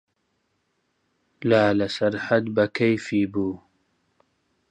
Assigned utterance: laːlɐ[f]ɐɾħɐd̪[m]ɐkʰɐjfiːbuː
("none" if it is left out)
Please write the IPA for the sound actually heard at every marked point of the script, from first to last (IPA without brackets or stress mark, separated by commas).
s, b